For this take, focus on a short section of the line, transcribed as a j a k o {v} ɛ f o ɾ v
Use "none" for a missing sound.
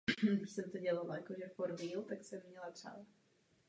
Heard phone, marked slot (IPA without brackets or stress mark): ʒ